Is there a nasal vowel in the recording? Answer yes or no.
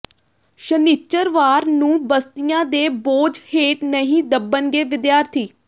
yes